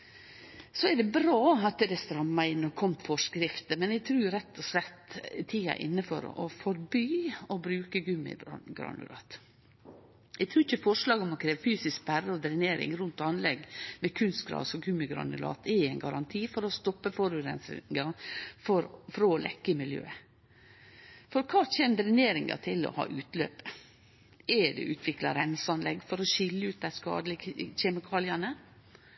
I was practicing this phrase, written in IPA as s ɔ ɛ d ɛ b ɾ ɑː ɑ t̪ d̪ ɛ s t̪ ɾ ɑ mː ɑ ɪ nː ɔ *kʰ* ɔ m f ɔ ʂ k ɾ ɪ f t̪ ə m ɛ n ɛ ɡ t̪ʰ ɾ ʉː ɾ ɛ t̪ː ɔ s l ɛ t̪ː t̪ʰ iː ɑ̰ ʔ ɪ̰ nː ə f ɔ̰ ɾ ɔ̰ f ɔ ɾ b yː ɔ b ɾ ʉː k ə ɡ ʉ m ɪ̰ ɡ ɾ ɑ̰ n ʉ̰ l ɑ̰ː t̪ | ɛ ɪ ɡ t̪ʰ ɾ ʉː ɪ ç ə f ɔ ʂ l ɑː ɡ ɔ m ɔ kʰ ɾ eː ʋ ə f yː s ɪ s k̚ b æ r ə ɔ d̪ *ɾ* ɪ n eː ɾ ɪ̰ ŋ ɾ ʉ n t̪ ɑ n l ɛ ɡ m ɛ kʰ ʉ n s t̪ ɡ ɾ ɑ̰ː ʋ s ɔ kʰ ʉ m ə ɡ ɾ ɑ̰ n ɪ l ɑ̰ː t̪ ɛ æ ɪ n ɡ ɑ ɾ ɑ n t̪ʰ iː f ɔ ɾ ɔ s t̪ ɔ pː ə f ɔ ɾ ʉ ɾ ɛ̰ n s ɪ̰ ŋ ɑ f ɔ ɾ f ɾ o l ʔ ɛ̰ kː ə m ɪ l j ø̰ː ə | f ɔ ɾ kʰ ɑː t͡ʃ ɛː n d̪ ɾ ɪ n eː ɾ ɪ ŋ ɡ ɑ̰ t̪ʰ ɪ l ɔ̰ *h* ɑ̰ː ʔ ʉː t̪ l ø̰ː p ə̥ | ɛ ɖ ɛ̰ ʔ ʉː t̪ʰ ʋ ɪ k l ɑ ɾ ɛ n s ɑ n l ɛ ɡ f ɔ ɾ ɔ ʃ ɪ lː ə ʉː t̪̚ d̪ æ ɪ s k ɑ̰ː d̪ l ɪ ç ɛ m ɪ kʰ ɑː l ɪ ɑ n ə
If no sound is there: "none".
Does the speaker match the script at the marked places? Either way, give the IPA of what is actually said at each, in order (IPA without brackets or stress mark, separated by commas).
kʰ, ɾ, h